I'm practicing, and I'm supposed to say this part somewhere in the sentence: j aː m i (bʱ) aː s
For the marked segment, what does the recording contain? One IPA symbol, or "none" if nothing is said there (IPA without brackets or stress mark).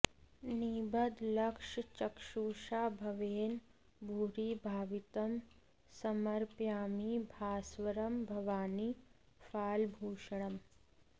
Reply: bʱ